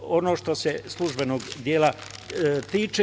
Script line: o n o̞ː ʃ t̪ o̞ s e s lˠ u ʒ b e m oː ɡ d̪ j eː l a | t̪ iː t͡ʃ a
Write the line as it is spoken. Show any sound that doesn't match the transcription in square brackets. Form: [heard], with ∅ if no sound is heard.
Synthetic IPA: o n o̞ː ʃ t̪ o̞ s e s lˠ u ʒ b e [n] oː ɡ d̪ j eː l a | t̪ iː t͡ʃ [e]